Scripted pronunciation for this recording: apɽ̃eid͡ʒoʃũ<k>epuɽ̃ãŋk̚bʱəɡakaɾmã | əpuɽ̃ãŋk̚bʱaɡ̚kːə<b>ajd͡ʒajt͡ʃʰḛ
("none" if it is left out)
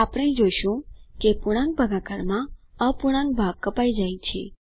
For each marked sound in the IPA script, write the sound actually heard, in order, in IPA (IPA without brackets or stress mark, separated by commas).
k, p